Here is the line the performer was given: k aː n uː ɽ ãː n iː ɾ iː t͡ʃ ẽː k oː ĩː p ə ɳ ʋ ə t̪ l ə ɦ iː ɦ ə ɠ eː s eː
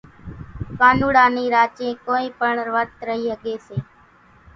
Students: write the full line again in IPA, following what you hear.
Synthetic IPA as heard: k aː n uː ɽ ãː n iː ɾ aː t͡ʃ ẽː k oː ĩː p ə ɳ ʋ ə t̪ ɾ ə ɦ iː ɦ ə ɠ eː s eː